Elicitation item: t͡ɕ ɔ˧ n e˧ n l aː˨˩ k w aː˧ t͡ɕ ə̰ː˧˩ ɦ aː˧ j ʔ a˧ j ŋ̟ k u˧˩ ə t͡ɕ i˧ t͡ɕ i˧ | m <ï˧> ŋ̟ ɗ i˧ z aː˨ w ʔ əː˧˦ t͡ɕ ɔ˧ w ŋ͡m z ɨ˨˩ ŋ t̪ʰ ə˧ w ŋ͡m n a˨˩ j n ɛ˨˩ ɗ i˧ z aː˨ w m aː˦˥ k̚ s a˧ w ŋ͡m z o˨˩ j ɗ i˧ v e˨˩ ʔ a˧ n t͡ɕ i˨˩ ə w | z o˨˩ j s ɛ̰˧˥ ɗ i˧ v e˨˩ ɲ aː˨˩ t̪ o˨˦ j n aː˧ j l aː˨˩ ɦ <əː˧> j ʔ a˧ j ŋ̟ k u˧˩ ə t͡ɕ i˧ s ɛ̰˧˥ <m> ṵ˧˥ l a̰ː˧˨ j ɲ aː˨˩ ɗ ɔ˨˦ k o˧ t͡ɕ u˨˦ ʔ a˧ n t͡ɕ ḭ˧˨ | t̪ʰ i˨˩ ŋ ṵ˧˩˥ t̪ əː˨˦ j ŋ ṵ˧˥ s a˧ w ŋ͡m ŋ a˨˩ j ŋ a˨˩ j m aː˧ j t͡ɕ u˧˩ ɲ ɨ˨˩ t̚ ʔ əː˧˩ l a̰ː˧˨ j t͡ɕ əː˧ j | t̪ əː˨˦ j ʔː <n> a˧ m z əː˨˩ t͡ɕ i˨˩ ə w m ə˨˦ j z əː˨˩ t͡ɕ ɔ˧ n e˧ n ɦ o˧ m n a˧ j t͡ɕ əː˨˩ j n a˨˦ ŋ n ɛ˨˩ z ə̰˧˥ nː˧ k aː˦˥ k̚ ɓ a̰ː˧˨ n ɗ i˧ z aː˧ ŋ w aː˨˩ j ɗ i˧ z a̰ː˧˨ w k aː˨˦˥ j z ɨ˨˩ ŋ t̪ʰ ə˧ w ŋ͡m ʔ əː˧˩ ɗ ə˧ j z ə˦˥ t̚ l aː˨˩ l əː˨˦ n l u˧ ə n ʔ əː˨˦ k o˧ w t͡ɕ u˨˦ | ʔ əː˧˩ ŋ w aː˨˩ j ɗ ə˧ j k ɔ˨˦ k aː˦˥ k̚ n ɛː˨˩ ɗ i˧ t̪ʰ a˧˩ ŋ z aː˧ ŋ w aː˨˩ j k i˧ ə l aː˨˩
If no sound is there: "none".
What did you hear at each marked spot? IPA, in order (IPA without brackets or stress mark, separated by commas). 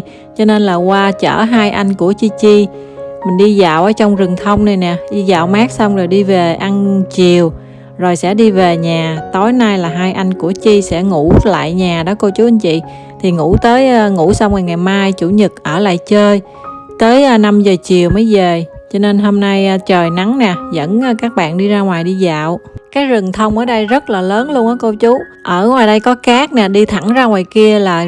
ï˨˩, aː˧, ŋ, n